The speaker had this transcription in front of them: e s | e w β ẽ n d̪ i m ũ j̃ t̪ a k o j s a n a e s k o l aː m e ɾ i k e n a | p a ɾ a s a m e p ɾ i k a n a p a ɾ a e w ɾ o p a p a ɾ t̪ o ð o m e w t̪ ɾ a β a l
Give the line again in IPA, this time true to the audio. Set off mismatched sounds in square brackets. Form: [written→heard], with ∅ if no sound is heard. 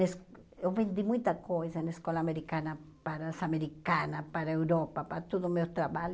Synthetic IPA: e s | e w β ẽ n d̪ i m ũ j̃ t̪ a k o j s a n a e s k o l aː m e ɾ i k [e→a] n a | p a ɾ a s a m e [p→∅] ɾ i k a n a p a ɾ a e w ɾ o p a p a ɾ t̪ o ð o m e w t̪ ɾ a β a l